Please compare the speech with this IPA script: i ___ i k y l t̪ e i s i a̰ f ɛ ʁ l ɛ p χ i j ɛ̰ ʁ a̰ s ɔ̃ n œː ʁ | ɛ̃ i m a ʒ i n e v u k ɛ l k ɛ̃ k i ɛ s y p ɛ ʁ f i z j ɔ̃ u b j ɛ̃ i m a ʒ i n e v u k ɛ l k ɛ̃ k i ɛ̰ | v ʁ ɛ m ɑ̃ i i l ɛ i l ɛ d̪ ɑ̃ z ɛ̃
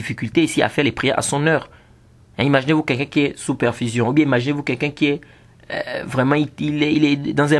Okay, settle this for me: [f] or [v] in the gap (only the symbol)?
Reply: f